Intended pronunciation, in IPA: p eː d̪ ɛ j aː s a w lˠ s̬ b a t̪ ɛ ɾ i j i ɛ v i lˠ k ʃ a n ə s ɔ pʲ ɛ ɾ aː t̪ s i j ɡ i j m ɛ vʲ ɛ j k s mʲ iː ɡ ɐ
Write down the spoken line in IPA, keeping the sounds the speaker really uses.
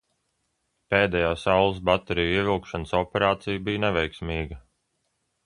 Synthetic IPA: p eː d̪ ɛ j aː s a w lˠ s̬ b a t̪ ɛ ɾ i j i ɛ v i lˠ k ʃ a n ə s ɔ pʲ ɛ ɾ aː t̪ s i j b i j n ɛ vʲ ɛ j k s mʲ iː ɡ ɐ

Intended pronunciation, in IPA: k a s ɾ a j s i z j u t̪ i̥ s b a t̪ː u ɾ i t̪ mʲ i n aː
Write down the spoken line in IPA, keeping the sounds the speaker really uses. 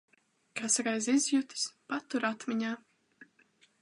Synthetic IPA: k a s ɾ a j z i z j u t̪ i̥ s p a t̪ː u ɾ a t̪ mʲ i ɲ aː

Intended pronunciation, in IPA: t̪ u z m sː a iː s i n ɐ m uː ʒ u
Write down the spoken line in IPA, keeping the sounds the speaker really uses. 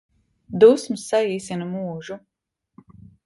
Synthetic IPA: d̪ u s m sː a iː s i n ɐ m uː ʒ u

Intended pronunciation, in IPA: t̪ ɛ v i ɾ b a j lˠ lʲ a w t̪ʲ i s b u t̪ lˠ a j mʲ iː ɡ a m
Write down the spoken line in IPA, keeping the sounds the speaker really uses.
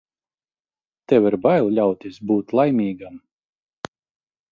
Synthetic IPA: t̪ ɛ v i ɾ b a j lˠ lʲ a w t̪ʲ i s b uː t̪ lˠ a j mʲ iː ɡ a m

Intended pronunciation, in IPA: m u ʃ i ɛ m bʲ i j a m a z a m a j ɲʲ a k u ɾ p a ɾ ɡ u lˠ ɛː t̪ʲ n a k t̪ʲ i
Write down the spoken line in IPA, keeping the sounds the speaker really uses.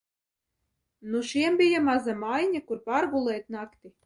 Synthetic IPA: n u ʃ i ɛ m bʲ i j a m a z a m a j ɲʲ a k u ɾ p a ɾ ɡ u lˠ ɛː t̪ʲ n a k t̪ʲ i

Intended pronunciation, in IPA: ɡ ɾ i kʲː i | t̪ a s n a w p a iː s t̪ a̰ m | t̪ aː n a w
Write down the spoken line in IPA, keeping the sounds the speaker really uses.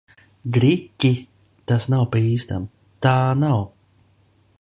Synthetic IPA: ɡ ɾ i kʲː i | t̪ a s n a w p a iː s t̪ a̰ m | t̪ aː n a w

